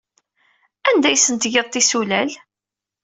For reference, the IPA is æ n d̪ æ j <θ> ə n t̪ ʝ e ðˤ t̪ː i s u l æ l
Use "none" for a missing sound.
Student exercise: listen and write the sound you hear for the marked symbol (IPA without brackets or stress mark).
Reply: s